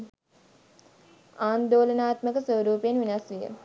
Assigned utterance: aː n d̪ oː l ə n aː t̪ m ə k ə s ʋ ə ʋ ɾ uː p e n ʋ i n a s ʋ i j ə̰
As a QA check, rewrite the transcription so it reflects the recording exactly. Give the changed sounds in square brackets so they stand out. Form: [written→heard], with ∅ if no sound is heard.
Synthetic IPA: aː n d̪ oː l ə n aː t̪ m ə k ə s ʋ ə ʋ ɾ uː p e n ʋ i n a s ʋ i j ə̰